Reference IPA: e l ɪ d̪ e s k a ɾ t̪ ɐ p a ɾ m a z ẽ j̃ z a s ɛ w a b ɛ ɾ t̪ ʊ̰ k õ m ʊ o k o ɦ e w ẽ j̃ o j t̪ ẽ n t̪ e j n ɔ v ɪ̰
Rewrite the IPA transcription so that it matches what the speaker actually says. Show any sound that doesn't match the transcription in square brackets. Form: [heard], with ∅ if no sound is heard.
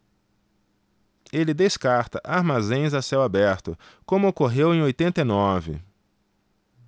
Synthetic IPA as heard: e l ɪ d̪ e s k a ɾ t̪ ɐ [ʔ] a ɾ m a z ẽ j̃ z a s ɛ w a b ɛ ɾ t̪ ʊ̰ k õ m ʊ o k o ɦ e w ẽ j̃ o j t̪ ẽ n t̪ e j n ɔ v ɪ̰